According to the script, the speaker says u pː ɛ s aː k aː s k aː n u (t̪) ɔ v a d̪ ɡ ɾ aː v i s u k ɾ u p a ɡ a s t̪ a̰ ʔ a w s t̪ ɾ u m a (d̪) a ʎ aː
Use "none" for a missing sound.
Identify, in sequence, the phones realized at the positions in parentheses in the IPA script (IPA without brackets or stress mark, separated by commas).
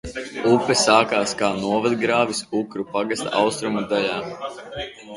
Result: none, d̪